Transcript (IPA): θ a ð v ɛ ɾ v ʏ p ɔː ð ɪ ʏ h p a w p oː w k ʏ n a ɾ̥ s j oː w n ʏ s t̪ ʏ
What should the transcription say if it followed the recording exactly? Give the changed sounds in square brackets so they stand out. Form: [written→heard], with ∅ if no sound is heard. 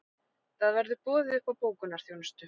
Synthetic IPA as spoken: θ a ð v ɛ ɾ [v→ð] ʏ p ɔː ð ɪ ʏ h p a w p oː w k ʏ n a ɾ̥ [s→θ] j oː w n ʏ s t̪ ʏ